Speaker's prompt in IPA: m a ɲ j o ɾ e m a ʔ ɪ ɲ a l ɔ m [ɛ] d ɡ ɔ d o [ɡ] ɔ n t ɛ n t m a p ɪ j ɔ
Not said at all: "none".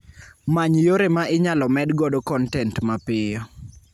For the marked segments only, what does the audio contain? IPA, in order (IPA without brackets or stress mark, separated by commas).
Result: ɛ, k